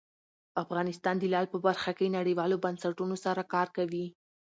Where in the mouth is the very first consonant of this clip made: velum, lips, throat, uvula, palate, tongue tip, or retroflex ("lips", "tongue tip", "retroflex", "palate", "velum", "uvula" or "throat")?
lips